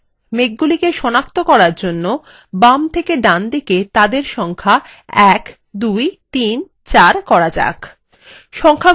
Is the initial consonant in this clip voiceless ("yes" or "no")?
no